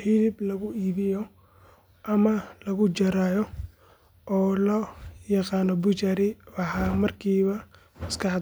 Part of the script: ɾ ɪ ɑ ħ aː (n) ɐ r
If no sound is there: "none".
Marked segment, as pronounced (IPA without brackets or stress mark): m